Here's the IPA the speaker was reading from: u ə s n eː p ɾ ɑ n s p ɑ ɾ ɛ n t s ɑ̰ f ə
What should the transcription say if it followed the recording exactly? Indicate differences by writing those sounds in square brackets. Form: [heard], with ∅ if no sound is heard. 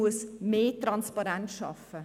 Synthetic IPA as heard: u ə s [m] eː [t] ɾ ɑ n s p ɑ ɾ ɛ n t [ʃ] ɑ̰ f ə